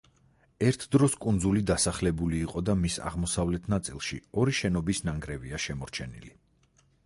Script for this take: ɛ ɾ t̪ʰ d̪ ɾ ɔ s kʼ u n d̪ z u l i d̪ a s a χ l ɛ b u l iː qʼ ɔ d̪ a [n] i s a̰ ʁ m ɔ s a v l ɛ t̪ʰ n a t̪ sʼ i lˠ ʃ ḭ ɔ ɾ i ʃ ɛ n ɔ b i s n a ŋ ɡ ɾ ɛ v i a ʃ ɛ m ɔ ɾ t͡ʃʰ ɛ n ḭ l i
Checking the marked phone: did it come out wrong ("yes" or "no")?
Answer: yes